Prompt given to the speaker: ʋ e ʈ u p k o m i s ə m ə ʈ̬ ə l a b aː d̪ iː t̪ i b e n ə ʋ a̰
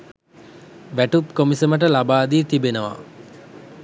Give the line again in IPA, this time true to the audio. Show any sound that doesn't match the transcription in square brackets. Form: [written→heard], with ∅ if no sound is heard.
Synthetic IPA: ʋ [e→æ] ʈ u p k o m i s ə m ə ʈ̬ ə l a b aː d̪ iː t̪ i b e n ə ʋ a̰